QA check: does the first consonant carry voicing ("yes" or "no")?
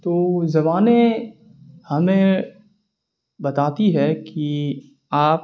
no